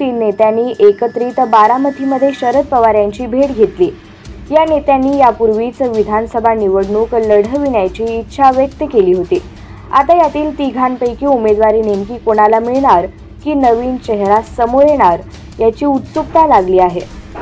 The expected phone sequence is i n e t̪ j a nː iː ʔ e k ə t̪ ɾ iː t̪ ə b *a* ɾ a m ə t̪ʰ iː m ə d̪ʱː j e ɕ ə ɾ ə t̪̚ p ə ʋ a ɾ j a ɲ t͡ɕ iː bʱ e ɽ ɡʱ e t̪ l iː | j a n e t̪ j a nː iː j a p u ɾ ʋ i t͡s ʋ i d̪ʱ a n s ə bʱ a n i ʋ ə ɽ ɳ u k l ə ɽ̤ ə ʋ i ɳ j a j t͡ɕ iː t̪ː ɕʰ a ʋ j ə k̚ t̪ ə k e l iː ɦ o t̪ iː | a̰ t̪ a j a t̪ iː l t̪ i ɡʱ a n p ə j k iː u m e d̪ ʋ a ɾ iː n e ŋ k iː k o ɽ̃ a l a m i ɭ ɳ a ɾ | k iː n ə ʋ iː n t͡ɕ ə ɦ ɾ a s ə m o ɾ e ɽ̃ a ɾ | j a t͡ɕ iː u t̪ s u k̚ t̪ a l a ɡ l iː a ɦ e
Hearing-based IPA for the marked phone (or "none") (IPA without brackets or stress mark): a